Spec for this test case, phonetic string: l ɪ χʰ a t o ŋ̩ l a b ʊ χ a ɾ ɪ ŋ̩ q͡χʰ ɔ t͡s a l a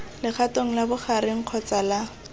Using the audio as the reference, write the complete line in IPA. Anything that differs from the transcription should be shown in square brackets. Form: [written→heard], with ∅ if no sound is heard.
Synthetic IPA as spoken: l ɪ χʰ a t o ŋ̩ l a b ʊ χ a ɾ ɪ ŋ̩ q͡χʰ ɔ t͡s a l a